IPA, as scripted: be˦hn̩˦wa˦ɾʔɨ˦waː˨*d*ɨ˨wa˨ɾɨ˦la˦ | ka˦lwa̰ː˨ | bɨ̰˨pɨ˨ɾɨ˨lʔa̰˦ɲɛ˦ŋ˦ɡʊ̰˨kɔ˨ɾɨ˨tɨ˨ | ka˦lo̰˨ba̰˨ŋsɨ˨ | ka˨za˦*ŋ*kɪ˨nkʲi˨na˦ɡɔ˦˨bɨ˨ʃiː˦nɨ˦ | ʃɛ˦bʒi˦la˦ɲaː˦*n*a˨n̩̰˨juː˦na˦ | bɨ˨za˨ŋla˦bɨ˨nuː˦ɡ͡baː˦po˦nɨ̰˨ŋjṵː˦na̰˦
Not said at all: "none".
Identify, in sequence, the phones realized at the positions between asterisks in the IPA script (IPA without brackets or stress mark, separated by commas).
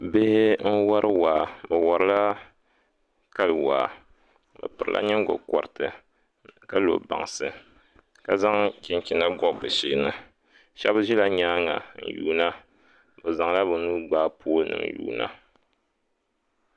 b, ŋ, ŋ